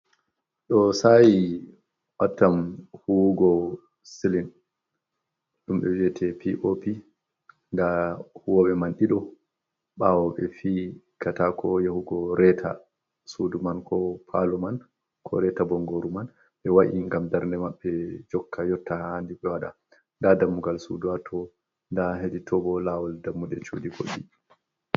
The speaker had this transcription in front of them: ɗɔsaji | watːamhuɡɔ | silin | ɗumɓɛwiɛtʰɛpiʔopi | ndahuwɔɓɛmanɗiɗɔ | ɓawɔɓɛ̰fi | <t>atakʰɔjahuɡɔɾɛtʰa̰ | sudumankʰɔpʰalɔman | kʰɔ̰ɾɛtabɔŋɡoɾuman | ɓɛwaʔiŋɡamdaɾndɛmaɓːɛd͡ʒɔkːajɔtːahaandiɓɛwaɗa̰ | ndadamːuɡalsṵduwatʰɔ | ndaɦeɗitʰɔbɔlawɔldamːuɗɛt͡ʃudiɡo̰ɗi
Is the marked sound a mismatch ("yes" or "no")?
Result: yes